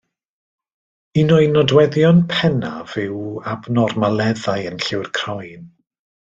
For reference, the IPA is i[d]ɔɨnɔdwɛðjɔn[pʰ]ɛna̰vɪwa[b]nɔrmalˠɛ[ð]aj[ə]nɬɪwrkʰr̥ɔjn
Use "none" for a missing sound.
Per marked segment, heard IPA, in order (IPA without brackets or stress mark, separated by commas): n, pʰ, b, ð, ə